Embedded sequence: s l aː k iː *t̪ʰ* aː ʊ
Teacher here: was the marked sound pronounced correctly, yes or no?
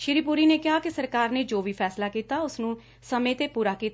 no